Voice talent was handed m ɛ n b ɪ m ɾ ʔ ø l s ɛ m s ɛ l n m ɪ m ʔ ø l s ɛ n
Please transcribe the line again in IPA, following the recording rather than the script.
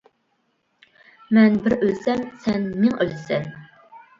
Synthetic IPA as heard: m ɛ n b ɪ ɾ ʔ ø l s ɛ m s ɛ n m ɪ ŋ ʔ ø l s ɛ n